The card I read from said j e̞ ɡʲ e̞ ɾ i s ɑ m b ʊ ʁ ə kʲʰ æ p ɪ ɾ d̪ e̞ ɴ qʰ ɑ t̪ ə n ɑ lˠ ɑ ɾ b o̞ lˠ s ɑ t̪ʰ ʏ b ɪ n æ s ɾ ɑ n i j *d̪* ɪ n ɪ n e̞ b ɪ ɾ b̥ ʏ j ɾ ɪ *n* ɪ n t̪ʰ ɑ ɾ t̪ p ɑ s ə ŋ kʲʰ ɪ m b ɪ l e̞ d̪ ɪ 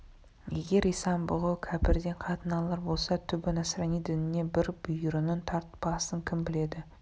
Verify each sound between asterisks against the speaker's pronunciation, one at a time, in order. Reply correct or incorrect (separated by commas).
correct, correct